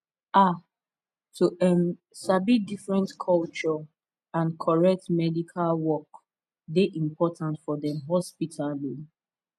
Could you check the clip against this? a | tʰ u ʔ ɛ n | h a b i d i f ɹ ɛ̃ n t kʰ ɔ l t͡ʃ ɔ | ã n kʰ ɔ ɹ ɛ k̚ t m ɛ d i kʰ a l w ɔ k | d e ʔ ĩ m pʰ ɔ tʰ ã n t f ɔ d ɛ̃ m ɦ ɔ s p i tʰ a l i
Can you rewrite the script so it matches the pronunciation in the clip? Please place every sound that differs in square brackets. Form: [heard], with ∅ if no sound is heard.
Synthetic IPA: a | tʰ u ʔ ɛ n | [s] a b i d i f ɹ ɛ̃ n t kʰ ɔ l t͡ʃ ɔ | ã n kʰ ɔ ɹ ɛ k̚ t m ɛ d i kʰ a l w ɔ k | d e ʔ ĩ m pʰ ɔ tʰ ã n t f ɔ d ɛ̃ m ɦ ɔ s p i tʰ a l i

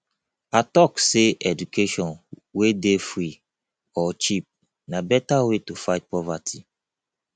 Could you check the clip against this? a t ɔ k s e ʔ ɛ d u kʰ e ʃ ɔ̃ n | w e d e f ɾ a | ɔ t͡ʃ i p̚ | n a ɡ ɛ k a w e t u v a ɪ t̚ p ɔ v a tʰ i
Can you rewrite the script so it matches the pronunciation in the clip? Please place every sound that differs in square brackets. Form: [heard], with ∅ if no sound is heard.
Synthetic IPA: a t ɔ k s e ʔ ɛ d u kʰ e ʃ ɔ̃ n | w e d e f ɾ [i] | ɔ t͡ʃ i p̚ | n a [b] ɛ [t] a w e t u [f] a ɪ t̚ p ɔ v a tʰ i

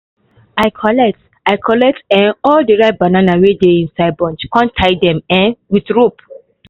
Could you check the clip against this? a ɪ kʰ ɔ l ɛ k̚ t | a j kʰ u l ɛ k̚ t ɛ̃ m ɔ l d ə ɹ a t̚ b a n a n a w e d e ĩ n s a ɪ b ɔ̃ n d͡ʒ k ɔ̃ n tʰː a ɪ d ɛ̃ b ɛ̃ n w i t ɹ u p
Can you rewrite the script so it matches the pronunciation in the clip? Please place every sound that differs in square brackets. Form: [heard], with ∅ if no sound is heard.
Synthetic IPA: a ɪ kʰ ɔ l ɛ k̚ t | a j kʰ [ɔ] l ɛ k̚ t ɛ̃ [n] ɔ l d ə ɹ a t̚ b a n a n a w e d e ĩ n s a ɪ b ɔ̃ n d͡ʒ k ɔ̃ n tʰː a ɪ d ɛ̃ [m] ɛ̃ n w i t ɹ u p

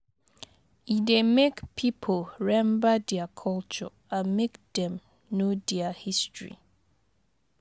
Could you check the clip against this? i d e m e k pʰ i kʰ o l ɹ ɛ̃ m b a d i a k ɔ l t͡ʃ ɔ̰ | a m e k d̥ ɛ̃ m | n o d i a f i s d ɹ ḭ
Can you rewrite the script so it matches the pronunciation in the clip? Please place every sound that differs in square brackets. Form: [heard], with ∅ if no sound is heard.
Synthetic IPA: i d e m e k pʰ i [pʰ] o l ɹ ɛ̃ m b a d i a [kʰ] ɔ l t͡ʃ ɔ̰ | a m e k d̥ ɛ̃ m | n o d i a [h] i s [t] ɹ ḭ

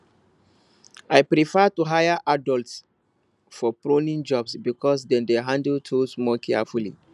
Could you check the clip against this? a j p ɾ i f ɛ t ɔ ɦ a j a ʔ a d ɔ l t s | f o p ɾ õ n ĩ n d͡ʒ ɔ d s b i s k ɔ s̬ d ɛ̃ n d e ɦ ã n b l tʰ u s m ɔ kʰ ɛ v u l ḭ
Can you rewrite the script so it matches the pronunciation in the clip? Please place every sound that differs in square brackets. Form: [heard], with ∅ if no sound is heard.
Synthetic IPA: a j p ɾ i f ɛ t [u] ɦ a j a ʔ a d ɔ l t s | f [ɔ] p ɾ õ n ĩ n d͡ʒ ɔ [b] s b i [∅] k ɔ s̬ d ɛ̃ n d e ɦ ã n [d] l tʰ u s m ɔ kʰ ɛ [f] u l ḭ

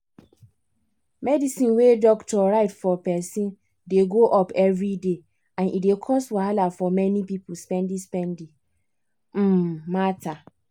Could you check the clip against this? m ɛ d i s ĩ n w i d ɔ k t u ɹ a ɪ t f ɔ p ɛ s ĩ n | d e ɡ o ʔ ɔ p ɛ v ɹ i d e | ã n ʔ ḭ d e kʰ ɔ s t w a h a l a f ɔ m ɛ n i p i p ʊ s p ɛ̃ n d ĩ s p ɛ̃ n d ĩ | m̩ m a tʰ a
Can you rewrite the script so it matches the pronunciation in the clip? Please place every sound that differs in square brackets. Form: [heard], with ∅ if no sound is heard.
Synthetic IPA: m ɛ d i s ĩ n w [e] d ɔ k t [ɔ] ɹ a ɪ t f ɔ p ɛ s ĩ n | d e ɡ o ʔ ɔ p ɛ v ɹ i d e | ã n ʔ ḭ d e kʰ ɔ s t w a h a l a f ɔ m ɛ n i p i p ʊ s p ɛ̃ n d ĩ s p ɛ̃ n d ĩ | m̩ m a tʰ a

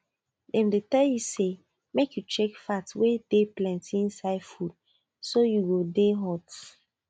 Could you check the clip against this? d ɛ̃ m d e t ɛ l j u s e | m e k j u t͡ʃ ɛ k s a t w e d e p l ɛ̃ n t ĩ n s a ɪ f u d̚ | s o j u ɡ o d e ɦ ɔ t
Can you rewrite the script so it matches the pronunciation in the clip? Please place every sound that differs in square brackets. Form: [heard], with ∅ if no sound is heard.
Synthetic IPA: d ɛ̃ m d e t ɛ l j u s e | m e k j u t͡ʃ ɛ k [f] a t w e d e p l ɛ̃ n t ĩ n s a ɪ f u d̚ | s o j u ɡ o d e ɦ ɔ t

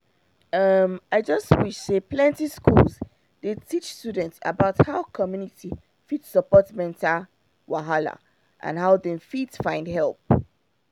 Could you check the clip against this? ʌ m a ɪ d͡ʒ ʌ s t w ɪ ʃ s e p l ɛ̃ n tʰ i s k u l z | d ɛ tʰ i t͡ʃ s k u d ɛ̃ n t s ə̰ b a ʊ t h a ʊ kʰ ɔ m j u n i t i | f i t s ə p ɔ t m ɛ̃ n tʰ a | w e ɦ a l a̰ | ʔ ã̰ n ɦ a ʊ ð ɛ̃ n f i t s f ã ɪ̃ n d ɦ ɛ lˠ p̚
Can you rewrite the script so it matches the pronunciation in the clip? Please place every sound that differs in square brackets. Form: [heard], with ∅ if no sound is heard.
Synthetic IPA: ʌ m a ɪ d͡ʒ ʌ s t w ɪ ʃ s e p l ɛ̃ n [t] i s k u l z | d [e] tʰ i t͡ʃ s [t] u d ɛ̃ n t s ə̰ b a ʊ t h a ʊ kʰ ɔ m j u n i t i | f i t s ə p ɔ t m ɛ̃ n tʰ a | w [a] ɦ a l a̰ | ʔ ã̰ n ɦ a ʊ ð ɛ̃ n f i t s f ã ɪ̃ n d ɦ ɛ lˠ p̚

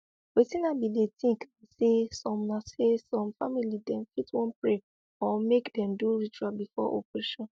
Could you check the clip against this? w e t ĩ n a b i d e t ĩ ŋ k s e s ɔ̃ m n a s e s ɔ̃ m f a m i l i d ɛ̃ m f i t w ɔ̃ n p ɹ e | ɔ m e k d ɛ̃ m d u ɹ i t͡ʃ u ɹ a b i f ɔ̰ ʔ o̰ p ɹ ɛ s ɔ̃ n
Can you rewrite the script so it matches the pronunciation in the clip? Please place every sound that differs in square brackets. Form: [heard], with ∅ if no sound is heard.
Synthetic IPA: w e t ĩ n a b i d e t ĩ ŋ k s e s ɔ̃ m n a s e s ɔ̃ m f a m i l i d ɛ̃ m f i t w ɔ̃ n p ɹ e | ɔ m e k d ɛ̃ m d u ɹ i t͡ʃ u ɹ a b i f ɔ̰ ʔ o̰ p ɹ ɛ [ʃ] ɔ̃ n

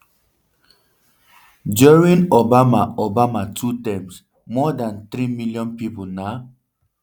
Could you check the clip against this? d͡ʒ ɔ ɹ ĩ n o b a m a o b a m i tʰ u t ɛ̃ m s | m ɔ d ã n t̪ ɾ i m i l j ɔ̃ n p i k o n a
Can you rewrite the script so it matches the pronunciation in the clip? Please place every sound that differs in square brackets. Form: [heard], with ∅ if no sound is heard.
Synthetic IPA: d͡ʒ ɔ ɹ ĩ n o b a m a o b a m [a] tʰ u t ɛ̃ m s | m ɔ d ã n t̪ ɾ i m i l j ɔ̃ n p i [p] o n a

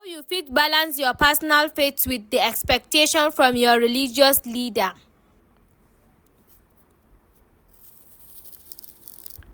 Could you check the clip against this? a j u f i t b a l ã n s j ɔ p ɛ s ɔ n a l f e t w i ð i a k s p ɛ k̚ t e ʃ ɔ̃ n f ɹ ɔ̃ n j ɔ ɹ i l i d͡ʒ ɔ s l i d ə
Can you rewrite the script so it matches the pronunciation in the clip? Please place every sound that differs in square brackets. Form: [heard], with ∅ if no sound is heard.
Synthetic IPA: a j u f i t b a l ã n s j ɔ p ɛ s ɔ n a l f e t w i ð i [ɛ] k s p ɛ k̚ t e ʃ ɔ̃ n f ɹ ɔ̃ [m] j ɔ ɹ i l i d͡ʒ ɔ s l i d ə

